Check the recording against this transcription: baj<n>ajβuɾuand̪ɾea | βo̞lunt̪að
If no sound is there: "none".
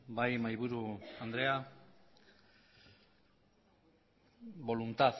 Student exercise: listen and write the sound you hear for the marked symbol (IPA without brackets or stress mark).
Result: m